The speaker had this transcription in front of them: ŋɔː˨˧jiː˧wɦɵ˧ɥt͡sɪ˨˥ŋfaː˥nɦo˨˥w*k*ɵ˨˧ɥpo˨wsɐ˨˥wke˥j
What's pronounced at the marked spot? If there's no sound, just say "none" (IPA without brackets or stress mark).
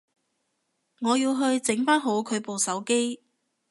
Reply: kʰ